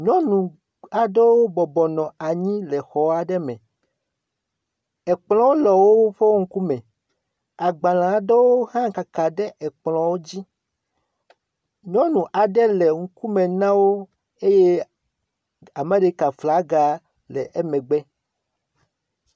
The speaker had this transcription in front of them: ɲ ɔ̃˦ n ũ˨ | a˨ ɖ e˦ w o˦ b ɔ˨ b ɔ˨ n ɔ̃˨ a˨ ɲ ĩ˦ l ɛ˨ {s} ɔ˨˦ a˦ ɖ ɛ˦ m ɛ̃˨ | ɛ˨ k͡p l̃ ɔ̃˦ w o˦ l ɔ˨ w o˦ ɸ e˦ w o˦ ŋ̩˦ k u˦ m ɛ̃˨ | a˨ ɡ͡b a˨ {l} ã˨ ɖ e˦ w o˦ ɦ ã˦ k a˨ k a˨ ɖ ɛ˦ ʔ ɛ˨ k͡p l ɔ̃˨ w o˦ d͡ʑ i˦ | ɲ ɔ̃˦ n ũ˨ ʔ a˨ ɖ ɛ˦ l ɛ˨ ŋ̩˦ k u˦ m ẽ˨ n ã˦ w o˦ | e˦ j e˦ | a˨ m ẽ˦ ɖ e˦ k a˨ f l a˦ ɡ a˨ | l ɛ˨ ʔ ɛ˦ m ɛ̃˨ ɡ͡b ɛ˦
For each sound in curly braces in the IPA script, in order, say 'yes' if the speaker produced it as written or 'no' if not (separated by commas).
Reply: no, yes